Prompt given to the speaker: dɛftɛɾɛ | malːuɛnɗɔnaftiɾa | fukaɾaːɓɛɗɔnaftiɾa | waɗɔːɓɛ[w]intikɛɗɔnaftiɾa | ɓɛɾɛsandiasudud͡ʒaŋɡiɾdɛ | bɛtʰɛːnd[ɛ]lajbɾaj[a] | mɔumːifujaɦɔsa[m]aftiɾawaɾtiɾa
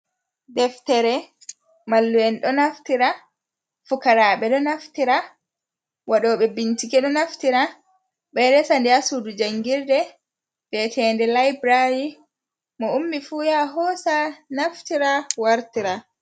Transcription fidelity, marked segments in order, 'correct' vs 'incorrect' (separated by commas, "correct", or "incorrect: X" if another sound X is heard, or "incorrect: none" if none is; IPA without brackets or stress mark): incorrect: b, correct, incorrect: i, incorrect: n